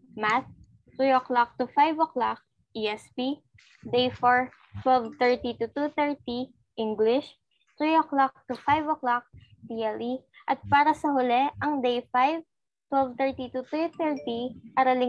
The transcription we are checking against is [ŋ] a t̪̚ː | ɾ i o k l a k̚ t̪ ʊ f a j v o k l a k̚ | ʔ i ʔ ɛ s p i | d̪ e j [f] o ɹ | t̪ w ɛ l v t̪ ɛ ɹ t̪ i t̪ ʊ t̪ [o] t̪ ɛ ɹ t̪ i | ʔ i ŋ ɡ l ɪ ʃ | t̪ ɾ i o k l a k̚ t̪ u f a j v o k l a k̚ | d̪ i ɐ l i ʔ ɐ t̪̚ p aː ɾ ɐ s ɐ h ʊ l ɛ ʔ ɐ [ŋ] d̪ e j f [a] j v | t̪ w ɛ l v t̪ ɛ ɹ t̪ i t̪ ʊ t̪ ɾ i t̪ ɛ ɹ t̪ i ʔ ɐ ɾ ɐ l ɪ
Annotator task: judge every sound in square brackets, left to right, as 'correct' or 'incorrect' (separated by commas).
incorrect, correct, incorrect, correct, correct